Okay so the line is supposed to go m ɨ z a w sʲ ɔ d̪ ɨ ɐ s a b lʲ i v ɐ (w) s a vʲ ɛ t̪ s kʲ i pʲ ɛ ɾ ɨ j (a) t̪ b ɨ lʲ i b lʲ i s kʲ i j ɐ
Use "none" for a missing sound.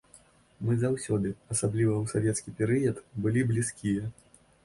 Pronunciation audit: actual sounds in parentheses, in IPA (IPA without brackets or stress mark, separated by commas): w, ɐ